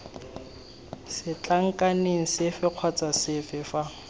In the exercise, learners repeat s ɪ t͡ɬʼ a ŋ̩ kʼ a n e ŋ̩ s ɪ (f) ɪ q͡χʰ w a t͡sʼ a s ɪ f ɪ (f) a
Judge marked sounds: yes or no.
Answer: yes, yes

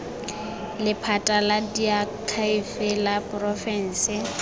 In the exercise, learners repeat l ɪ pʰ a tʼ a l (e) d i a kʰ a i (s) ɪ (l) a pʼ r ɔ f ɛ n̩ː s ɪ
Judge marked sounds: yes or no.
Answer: no, no, yes

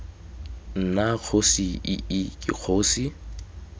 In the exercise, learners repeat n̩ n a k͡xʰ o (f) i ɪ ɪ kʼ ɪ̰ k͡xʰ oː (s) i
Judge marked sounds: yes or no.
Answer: no, yes

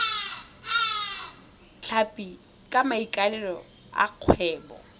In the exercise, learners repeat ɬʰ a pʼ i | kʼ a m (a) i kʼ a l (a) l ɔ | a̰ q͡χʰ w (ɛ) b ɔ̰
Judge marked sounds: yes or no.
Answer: yes, no, no

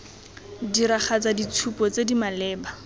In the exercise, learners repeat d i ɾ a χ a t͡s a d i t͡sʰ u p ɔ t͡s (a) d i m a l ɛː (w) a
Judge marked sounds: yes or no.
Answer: no, no

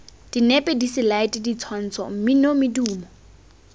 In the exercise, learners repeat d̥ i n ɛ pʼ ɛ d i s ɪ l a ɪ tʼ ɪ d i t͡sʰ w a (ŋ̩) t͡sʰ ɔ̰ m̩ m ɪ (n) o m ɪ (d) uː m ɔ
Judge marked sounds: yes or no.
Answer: no, yes, yes

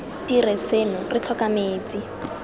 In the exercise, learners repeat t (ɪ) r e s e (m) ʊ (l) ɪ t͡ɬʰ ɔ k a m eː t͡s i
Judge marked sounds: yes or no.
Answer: no, no, no

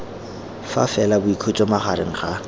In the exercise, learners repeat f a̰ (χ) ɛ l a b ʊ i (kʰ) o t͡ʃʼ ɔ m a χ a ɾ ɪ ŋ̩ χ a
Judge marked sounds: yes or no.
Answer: no, yes

